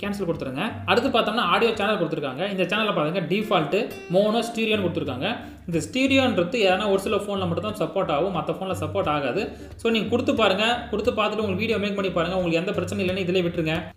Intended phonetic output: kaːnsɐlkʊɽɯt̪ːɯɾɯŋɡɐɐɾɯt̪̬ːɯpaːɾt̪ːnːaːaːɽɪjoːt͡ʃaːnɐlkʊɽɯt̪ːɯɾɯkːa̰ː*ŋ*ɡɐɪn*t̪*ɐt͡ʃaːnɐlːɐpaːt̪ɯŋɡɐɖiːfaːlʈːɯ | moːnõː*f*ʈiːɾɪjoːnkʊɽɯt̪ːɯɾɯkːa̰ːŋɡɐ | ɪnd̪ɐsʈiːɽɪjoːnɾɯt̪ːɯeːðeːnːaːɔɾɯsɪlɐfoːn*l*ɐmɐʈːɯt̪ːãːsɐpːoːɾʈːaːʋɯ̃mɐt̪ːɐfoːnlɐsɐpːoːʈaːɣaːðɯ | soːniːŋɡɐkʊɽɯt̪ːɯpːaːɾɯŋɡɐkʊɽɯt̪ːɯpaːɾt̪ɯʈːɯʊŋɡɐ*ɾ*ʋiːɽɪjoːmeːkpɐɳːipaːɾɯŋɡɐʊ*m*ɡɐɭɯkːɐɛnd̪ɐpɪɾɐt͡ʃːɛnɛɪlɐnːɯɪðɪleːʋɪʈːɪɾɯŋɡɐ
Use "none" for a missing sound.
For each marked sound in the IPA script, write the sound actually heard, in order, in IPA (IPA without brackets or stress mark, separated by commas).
ŋ, d̪, s, l, ɭ, ŋ